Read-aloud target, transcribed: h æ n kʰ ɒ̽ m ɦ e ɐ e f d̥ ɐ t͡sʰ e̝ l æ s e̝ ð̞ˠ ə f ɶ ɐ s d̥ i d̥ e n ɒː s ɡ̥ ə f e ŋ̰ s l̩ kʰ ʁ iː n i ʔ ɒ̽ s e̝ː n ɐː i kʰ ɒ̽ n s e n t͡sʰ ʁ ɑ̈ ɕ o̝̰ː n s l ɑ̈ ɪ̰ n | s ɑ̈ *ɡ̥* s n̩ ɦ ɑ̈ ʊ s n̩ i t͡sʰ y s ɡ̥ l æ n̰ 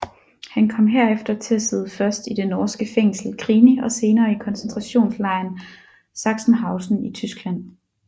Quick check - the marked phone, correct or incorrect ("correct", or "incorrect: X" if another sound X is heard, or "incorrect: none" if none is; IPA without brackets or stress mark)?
correct